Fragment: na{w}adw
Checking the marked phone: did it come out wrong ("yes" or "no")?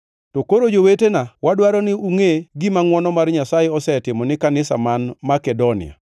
no